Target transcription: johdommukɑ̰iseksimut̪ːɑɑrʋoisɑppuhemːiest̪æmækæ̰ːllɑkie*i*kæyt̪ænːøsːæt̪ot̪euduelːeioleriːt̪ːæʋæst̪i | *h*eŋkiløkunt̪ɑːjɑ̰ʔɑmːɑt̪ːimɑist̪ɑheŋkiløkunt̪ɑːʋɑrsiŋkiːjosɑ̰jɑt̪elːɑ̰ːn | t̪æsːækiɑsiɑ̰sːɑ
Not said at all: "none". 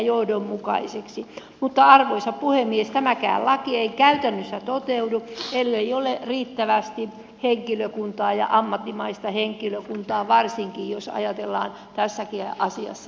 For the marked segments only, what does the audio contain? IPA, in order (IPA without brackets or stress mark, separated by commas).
i, h